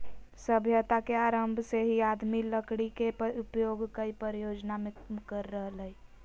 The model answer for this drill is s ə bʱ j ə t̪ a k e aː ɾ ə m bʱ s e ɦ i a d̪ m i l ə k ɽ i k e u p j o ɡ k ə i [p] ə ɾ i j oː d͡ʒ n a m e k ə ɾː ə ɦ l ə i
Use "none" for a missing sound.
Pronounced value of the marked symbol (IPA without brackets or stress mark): p